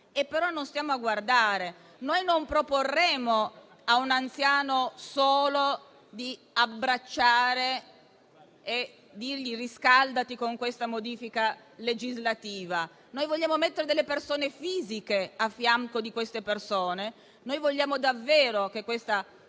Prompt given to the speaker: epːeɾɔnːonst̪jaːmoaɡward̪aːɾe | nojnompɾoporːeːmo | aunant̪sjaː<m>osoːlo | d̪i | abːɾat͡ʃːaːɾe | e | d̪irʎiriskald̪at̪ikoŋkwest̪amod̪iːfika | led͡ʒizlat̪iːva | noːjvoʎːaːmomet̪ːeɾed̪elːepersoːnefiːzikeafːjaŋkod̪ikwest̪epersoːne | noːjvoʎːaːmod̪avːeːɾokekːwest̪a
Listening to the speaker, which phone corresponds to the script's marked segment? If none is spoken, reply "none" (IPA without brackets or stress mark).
n